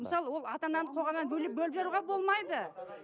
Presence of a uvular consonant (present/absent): present